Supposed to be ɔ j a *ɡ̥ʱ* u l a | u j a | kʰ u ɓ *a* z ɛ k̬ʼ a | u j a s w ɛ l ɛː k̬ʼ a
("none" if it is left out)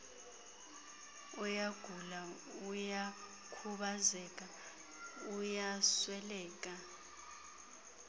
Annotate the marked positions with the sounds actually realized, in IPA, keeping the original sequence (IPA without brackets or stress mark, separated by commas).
ɡ̥ʱ, a